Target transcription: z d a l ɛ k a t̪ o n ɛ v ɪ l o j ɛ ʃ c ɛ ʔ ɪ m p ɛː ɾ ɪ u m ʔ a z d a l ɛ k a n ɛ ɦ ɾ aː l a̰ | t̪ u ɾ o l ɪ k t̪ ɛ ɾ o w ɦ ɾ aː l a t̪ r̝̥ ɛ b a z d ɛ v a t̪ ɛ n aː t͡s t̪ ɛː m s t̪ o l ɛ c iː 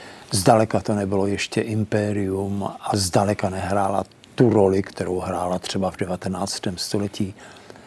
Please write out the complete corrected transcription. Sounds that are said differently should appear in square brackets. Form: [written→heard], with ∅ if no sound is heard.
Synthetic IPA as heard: z d a l ɛ k a t̪ o n ɛ [v→b] ɪ l o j ɛ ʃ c ɛ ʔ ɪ m p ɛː ɾ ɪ u m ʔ a z d a l ɛ k a n ɛ ɦ ɾ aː l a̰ | t̪ u ɾ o l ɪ k t̪ ɛ ɾ o w ɦ ɾ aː l a t̪ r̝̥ ɛ b a [z→v] d ɛ v a t̪ ɛ n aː t͡s t̪ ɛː m s t̪ o l ɛ c iː